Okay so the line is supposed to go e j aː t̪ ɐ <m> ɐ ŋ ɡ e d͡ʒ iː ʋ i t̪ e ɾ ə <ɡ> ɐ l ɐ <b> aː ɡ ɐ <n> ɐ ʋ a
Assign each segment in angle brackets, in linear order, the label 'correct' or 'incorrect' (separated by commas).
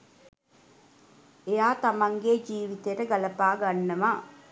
correct, correct, incorrect, incorrect